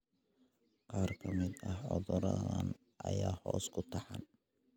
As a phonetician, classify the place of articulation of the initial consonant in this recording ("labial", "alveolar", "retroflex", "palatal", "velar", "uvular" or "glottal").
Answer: uvular